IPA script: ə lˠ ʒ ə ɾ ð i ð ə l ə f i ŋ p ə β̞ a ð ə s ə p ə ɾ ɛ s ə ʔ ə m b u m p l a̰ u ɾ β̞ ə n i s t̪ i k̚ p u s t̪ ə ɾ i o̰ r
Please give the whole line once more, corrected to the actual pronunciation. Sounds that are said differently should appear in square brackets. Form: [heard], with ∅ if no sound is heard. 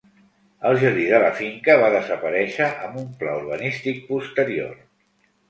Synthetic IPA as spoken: ə lˠ ʒ ə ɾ ð i ð ə l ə f i ŋ [k] ə β̞ a ð ə [z] ə p ə ɾ ɛ [ʃ] ə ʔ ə m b u m p l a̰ u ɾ β̞ ə n i s t̪ i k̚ p u s t̪ ə ɾ i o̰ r